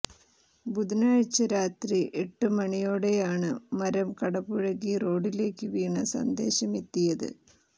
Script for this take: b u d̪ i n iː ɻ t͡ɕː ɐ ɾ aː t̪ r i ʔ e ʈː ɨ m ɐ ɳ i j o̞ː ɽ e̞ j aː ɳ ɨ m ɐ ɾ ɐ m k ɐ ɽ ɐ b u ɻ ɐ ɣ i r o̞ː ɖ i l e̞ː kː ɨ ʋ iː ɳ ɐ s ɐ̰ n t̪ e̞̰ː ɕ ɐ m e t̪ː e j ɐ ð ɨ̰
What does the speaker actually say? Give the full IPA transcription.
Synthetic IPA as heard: b u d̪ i n aː ɻ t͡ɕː ɐ ɾ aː t̪ r i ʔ e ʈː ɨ m ɐ ɳ i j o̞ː ɽ e̞ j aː ɳ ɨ m ɐ ɾ ɐ m k ɐ ɽ ɐ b u ɻ ɐ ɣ i r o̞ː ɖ i l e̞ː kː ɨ ʋ iː ɳ ɐ s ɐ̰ n d̪ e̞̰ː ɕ ɐ m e t̪ː i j ɐ ð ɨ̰